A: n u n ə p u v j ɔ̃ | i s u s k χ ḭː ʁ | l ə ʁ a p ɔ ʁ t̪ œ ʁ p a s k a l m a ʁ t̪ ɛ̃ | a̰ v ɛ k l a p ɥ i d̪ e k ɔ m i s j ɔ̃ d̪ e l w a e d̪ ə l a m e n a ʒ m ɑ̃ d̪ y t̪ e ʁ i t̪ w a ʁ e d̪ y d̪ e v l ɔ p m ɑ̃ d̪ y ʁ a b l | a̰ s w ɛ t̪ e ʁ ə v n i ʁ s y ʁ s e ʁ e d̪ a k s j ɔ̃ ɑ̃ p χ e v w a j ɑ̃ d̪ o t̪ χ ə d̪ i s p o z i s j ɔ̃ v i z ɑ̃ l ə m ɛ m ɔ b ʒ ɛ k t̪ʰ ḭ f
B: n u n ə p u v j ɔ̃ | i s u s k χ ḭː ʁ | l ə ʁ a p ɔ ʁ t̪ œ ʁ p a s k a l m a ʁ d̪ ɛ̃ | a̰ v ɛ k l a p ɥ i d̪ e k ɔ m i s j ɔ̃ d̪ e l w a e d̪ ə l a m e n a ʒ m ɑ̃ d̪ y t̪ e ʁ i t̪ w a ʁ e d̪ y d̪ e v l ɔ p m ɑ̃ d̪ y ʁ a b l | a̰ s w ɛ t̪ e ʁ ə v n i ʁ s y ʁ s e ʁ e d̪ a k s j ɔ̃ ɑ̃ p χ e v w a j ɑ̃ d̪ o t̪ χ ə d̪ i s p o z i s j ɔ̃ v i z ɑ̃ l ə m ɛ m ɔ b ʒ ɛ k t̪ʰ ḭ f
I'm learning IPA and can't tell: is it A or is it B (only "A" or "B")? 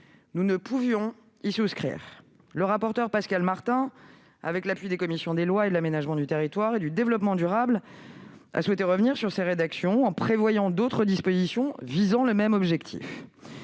A